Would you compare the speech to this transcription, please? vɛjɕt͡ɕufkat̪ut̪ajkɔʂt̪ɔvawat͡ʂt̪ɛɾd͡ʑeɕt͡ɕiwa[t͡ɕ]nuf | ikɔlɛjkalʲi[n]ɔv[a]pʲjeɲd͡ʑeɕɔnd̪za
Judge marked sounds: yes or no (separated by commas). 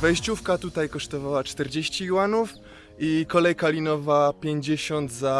no, yes, yes